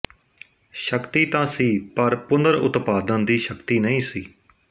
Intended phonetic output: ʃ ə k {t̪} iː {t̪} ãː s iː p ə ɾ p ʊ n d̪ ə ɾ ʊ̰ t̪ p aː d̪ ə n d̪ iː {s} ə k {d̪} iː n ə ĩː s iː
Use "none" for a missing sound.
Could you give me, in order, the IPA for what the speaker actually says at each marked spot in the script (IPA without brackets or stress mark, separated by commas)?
t̪, t̪, ʃ, t̪